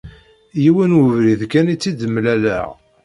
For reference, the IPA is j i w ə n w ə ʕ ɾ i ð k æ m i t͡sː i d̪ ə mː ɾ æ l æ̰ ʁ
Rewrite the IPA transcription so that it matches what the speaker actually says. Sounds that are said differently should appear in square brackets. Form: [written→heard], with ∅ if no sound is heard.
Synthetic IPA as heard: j i w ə n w ə [ʕ→v] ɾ i ð k æ [m→n] i t͡sː i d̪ ə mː [ɾ→l] æ l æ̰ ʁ